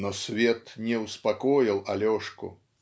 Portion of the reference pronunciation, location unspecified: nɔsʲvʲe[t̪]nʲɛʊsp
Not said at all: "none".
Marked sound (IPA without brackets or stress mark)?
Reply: t̪